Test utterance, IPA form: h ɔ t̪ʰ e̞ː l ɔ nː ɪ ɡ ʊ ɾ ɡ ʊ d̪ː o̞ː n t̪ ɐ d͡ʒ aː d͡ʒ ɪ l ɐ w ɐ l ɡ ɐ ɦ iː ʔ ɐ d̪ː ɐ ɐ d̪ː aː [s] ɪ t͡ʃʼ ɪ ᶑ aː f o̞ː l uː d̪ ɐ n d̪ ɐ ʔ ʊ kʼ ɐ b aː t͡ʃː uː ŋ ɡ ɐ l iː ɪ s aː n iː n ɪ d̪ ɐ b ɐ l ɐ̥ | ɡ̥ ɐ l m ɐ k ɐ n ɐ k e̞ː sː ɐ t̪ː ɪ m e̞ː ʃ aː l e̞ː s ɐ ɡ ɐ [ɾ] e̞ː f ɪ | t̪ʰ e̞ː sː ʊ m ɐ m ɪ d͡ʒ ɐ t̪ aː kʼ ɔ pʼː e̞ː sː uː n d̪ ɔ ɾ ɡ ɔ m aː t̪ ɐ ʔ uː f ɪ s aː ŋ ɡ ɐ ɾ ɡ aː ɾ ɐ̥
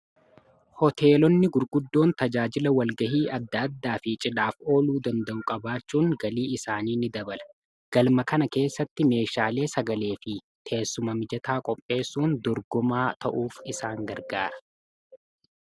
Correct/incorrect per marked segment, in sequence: incorrect: f, incorrect: l

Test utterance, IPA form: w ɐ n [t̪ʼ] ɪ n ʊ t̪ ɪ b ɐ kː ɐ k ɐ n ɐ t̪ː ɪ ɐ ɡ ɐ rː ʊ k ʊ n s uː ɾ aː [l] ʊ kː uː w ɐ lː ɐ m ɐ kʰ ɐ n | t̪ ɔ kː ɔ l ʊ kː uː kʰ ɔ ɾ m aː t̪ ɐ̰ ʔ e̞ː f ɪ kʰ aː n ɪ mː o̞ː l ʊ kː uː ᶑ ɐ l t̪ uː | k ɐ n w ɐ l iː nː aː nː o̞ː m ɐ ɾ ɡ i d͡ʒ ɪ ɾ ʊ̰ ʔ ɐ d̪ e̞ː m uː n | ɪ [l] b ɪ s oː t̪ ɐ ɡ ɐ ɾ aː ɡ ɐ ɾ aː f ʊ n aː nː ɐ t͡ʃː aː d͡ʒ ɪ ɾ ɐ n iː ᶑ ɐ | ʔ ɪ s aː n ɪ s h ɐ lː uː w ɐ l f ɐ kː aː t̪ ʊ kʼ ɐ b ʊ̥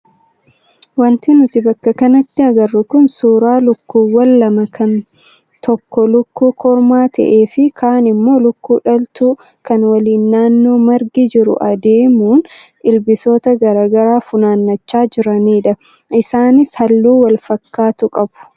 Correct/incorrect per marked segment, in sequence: incorrect: t̪, correct, correct

